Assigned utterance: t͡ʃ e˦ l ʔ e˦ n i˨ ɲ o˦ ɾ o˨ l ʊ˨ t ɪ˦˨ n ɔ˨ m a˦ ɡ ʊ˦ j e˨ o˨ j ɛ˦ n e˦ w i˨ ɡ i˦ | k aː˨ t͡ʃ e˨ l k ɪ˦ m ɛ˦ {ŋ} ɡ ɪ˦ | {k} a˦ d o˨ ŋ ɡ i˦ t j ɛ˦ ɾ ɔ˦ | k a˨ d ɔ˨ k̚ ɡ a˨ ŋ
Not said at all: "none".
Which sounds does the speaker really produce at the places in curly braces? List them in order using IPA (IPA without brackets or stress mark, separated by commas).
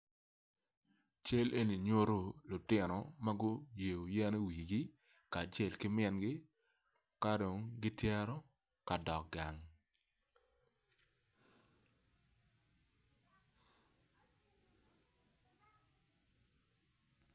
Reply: n, k